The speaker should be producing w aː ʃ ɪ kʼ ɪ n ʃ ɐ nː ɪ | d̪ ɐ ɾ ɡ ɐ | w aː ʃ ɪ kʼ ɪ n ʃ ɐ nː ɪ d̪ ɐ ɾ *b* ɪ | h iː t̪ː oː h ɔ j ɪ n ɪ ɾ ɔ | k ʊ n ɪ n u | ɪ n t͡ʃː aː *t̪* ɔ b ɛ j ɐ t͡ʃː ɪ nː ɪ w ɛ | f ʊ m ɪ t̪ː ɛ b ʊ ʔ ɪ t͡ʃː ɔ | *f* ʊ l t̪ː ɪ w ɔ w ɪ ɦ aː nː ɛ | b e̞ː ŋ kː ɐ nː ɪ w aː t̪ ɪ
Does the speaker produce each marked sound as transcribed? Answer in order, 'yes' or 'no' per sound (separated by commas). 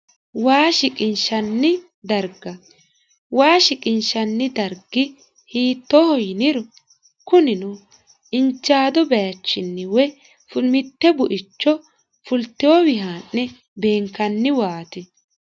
no, no, yes